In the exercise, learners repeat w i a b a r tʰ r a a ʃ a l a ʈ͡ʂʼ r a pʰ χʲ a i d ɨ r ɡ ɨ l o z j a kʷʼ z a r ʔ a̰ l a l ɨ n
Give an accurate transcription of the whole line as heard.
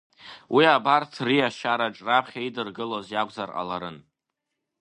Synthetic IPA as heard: w i a b a r tʰ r i a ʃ a ɾ a ʈ͡ʂʼ r a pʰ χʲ a i d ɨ r ɡ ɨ l o z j a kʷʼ z a r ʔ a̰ l a ɾ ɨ n